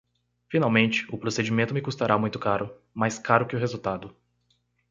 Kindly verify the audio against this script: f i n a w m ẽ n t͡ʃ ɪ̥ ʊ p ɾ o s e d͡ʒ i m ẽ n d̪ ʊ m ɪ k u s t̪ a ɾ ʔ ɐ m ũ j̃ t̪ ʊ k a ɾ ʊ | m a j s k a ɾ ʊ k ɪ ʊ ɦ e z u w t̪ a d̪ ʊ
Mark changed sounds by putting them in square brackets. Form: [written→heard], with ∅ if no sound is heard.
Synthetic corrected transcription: f i n a w m ẽ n t͡ʃ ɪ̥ ʊ p ɾ o s e d͡ʒ i m ẽ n [d̪→t̪] ʊ m ɪ k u s t̪ a ɾ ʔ [ɐ→a] m ũ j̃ t̪ ʊ k a ɾ ʊ | m a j s k a ɾ ʊ k ɪ ʊ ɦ e z u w t̪ a d̪ ʊ